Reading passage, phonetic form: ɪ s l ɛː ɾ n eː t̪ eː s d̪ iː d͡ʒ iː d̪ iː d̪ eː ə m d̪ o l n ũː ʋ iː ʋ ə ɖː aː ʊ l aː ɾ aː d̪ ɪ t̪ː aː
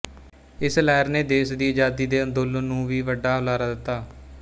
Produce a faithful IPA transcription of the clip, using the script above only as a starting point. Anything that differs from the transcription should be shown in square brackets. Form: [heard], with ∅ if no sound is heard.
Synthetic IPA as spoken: ɪ s l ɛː ɾ n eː [d̪] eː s d̪ iː d͡ʒ [aː] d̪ iː d̪ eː ə [n] d̪ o l n ũː ʋ iː ʋ ə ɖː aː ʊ l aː ɾ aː d̪ ɪ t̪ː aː